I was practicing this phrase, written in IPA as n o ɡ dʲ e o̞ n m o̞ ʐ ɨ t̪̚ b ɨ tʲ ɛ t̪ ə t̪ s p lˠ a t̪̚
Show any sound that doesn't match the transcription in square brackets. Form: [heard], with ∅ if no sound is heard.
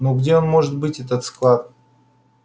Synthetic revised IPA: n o ɡ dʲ e o̞ n m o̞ ʐ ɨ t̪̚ b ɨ tʲ ɛ t̪ ə t̪ s [k] lˠ a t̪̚